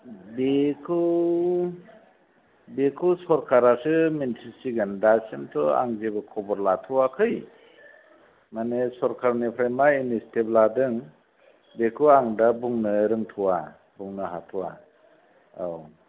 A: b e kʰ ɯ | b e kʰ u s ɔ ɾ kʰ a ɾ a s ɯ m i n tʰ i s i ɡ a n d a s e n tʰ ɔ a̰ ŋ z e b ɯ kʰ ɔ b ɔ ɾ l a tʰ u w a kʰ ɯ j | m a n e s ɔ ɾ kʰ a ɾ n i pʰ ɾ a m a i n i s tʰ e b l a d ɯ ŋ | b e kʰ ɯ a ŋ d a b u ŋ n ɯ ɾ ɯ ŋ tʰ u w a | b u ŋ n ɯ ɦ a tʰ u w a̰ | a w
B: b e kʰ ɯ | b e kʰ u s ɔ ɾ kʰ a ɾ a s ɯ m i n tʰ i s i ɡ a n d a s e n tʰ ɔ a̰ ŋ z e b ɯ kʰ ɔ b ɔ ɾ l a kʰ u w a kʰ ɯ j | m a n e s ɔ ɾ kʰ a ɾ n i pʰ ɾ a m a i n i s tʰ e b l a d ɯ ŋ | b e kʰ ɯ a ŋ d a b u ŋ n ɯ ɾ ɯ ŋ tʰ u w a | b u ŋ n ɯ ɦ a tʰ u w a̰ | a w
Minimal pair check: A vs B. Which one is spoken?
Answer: A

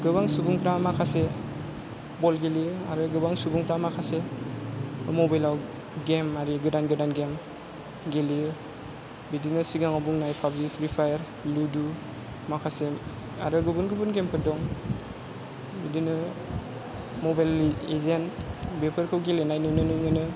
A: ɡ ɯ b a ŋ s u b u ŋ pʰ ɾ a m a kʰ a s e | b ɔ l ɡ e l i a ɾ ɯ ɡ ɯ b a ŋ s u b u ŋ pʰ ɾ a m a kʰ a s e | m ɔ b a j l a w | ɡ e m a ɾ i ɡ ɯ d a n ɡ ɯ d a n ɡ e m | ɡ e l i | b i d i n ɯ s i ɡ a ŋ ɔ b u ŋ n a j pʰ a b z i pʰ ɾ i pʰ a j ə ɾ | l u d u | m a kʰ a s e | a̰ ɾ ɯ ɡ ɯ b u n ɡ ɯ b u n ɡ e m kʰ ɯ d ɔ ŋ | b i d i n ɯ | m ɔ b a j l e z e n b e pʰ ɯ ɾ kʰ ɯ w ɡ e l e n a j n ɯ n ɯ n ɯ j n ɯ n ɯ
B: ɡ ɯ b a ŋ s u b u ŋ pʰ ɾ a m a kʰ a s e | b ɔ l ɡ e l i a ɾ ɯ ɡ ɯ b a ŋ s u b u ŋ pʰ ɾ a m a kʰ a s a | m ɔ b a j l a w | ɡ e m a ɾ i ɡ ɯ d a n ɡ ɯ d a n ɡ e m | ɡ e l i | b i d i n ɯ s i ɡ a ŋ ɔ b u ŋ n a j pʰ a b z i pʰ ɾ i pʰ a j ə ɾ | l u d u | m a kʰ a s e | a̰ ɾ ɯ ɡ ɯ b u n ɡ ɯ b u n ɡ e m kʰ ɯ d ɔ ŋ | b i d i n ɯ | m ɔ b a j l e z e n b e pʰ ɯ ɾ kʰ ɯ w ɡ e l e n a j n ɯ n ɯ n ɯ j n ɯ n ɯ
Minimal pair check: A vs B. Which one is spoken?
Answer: A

